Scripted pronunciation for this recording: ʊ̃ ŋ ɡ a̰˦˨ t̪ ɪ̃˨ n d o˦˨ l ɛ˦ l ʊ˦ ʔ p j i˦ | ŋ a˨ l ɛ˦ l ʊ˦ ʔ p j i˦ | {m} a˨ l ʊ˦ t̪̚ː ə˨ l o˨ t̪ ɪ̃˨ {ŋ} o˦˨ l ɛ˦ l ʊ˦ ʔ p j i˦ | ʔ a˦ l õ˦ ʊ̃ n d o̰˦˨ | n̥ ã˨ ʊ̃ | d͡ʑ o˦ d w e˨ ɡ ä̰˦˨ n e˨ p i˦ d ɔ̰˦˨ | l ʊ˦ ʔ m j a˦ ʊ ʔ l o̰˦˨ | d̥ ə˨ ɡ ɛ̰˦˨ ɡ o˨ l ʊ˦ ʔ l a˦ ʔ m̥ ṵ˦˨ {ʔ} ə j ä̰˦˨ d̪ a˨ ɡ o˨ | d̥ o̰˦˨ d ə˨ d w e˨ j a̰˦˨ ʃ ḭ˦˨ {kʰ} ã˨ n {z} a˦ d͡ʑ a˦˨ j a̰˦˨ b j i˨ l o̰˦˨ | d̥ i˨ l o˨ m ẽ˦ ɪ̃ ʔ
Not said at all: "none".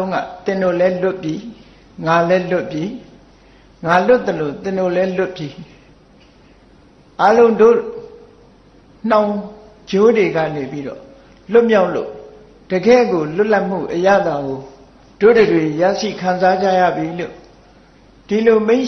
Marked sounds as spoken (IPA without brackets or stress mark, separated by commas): ŋ, n, ʔ, kʰ, z